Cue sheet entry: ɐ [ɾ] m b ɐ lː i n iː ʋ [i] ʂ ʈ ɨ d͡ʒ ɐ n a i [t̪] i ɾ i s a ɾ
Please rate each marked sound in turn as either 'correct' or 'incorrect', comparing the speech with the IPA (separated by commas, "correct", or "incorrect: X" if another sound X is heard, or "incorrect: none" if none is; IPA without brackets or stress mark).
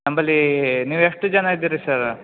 incorrect: none, incorrect: e, incorrect: d̪